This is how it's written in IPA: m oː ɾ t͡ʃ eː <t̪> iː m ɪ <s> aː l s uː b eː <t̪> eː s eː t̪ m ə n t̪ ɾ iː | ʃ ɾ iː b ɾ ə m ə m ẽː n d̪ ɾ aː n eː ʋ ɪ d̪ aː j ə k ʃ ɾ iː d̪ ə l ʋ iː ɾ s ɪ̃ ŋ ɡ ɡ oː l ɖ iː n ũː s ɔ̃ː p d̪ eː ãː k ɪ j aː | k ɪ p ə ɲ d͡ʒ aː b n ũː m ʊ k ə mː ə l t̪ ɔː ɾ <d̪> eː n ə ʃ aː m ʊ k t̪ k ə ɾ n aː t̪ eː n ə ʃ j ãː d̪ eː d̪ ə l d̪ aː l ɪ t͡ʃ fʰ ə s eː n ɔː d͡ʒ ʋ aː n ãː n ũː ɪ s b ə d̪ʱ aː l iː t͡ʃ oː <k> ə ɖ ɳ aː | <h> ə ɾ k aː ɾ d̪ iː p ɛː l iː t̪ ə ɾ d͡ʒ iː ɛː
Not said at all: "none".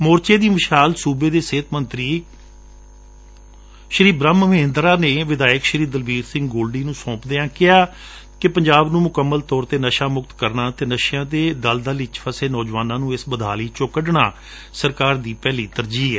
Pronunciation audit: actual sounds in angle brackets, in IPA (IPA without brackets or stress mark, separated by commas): d̪, ʃ, d̪, t̪, k, s